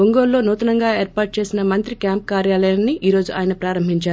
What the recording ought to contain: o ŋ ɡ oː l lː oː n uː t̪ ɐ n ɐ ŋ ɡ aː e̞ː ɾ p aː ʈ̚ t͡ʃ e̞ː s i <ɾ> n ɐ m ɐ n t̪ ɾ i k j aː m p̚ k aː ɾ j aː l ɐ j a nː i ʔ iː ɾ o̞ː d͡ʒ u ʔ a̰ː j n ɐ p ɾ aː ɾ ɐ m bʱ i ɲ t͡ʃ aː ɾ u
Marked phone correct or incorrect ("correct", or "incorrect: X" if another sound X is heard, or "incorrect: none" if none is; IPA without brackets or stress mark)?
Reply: incorrect: none